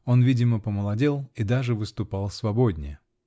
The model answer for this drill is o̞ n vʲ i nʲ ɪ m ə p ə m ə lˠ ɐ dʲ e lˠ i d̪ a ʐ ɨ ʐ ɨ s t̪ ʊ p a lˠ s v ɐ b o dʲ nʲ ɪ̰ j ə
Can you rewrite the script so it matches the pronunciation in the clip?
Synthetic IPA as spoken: o̞ n vʲ i dʲ ɪ m ə p ə m ə lˠ ɐ dʲ e lˠ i d̪ a ʐ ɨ v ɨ s t̪ ʊ p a lˠ s v ɐ b o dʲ nʲ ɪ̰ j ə